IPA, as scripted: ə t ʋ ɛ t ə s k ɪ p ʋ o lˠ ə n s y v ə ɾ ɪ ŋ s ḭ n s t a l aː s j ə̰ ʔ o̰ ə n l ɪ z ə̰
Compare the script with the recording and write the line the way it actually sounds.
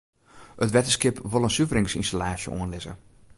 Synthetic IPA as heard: ə t ʋ ɛ t ə s k ɪ p ʋ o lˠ ə n s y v ə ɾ ɪ ŋ s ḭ n s t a l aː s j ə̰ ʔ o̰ ə n l ɪ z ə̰